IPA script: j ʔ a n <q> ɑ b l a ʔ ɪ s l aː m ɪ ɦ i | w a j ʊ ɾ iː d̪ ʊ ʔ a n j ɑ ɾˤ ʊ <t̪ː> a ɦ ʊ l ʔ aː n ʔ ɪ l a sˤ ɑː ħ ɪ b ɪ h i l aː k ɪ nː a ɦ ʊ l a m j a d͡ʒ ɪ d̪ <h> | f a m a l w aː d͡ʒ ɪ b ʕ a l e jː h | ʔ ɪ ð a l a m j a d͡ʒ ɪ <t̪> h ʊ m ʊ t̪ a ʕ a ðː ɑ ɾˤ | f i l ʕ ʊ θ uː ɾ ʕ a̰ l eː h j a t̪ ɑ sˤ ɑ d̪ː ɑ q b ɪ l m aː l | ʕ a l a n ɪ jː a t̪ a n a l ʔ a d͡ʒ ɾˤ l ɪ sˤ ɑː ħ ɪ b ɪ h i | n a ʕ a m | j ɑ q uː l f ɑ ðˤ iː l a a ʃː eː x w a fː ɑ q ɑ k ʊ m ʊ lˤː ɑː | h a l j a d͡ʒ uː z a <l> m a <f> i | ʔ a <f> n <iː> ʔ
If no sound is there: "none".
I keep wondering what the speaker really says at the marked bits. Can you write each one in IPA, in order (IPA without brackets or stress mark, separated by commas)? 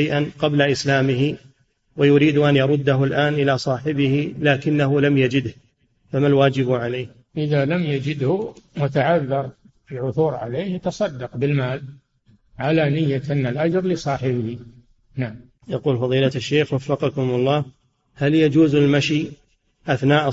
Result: q, d̪ː, h, d̪, l, ʃ, θ, aː